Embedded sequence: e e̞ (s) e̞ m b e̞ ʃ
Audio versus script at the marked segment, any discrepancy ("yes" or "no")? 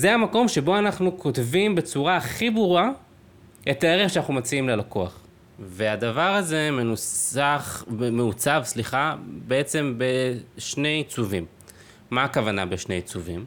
yes